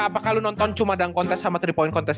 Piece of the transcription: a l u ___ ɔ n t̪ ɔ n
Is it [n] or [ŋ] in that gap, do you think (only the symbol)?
n